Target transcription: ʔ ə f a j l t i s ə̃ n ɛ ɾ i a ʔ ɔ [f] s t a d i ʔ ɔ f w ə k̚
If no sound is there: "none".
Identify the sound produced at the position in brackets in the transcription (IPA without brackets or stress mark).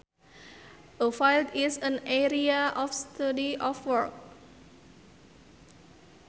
f